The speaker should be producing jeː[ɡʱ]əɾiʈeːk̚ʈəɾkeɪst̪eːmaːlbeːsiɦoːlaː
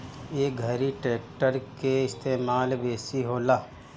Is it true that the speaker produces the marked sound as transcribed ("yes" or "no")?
yes